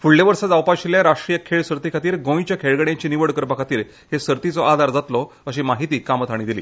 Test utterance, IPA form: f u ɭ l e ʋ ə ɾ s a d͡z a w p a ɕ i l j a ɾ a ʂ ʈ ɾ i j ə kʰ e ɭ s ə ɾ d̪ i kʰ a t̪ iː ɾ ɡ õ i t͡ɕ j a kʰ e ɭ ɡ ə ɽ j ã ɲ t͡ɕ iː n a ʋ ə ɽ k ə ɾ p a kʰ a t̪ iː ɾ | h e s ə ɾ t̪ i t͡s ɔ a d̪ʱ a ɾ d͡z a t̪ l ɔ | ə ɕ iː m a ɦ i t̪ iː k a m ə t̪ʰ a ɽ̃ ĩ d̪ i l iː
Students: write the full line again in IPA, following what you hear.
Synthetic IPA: f u ɭ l e ʋ ə ɾ s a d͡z a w p a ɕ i l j a ɾ a ʂ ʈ ɾ i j ə kʰ e ɭ s ə ɾ t̪ i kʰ a t̪ iː ɾ ɡ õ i t͡ɕ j a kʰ e ɭ ɡ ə ɽ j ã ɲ t͡ɕ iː n i ʋ ə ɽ k ə ɾ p a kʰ a t̪ iː ɾ | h e s ə ɾ t̪ i t͡s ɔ a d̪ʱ a ɾ d͡z a t̪ l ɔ | ə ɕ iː m a ɦ i t̪ iː k a m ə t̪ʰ a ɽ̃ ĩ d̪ i l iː